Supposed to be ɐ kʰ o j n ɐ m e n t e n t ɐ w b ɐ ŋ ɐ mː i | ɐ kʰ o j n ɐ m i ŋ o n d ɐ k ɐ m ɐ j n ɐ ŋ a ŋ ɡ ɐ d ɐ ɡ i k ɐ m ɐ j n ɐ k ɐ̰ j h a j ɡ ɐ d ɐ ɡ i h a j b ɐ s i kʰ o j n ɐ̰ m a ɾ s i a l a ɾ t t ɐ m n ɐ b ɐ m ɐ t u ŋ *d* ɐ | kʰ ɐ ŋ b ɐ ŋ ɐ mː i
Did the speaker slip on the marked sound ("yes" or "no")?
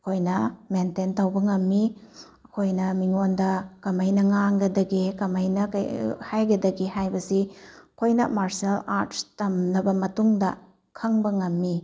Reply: no